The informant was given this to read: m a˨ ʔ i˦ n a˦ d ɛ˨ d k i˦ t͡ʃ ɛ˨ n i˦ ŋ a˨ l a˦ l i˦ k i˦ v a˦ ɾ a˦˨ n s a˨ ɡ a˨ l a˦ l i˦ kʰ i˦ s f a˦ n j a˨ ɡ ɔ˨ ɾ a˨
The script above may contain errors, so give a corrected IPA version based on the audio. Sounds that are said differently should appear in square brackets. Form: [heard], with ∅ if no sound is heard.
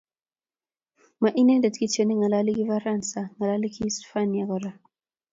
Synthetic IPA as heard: m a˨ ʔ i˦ n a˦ d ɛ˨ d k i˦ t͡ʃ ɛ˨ n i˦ ŋ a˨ l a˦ l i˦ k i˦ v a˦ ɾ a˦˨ n s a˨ [ŋ] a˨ l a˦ l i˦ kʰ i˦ s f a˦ n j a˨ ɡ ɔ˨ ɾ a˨